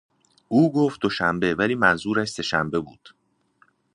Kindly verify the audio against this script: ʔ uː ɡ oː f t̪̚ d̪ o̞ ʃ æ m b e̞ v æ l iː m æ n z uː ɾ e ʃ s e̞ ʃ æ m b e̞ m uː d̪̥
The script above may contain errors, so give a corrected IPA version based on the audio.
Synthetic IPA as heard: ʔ uː ɡ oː f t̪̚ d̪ o̞ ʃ æ m b e̞ v æ l iː m æ n z uː ɾ æ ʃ s e̞ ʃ æ m b e̞ b uː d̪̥